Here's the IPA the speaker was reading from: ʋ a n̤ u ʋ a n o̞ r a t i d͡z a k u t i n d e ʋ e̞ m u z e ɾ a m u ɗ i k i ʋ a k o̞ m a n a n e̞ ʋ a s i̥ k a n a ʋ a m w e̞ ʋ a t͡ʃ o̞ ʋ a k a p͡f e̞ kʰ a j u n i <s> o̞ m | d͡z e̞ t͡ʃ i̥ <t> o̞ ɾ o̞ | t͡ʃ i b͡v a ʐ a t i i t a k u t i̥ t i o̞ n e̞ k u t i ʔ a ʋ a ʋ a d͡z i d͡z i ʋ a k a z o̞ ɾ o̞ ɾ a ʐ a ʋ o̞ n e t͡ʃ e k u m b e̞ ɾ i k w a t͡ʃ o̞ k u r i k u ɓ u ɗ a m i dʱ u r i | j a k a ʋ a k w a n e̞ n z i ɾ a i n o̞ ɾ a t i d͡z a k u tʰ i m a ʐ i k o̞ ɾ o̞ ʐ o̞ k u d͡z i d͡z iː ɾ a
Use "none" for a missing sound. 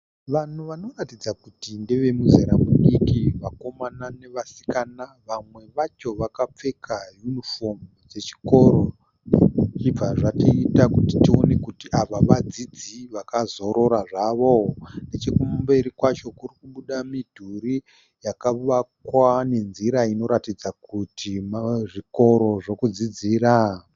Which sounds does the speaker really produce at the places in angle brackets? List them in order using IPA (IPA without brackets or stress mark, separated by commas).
f, k